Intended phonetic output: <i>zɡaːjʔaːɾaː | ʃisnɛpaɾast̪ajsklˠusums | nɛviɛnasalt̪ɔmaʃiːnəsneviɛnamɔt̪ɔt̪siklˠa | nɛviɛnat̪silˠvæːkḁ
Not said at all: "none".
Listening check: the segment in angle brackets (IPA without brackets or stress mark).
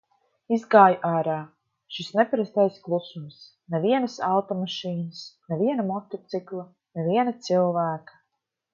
i